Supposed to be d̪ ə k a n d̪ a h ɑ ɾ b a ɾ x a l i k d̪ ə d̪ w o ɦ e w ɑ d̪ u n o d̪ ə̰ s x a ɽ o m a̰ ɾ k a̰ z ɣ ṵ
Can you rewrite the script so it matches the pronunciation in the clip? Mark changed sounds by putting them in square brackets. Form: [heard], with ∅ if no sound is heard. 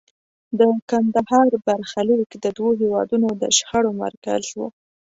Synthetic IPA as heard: d̪ ə k a n d̪ a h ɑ ɾ b a ɾ x a l i k d̪ ə d̪ w o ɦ e w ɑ d̪ u n o d̪ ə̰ [ʃ] x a ɽ o m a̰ ɾ k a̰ z [w] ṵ